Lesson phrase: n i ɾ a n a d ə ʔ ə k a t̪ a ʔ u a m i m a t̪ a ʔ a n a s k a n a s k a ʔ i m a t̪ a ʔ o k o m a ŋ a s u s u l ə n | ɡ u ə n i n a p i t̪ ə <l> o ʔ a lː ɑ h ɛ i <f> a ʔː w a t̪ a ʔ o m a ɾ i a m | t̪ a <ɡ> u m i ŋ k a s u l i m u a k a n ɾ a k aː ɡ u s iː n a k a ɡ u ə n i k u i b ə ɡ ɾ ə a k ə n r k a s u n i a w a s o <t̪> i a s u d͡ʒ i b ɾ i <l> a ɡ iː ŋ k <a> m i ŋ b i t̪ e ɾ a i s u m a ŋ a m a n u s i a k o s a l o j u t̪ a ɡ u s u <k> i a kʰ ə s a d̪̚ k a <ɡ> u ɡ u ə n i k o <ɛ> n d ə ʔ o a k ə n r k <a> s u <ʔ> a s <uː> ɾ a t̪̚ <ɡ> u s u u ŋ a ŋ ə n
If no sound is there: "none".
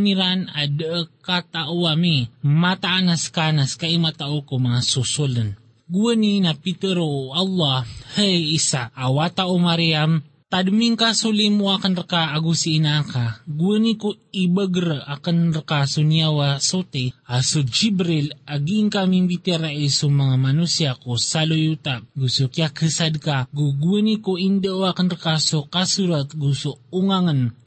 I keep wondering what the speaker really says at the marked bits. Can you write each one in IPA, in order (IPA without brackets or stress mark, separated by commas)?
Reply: ɾ, s, d, t̪, l, a, k, ɡ, i, a, k, u, ɡ